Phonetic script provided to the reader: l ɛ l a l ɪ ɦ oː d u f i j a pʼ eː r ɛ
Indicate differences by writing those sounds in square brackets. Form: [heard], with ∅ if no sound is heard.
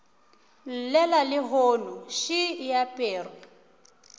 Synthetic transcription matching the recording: l ɛ l a l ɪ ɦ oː [n] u [ʃ] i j a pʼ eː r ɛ

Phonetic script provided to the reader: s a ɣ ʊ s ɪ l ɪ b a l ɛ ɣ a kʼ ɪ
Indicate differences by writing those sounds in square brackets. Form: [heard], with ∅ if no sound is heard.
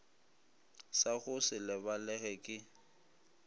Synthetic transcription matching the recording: s a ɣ ʊ s ɪ l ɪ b a l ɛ ɣ [ɛ] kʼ ɪ

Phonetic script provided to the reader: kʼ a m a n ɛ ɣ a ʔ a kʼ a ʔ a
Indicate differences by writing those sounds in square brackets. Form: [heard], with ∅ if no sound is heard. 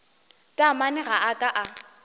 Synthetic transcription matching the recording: [tʼ] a m a n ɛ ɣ a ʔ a kʼ a ʔ a

